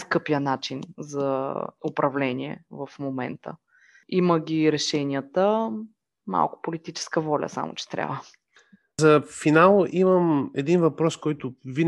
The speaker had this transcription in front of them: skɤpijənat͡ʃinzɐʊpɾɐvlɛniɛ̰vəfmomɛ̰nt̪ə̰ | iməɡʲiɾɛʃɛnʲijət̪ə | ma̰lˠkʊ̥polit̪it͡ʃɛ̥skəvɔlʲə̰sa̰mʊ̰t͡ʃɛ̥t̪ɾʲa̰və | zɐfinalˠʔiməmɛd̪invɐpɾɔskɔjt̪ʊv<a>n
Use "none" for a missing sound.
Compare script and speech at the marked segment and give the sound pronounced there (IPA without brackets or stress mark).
i